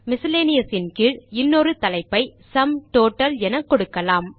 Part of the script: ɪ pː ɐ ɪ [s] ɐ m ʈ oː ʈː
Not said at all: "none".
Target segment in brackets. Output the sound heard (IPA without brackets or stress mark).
s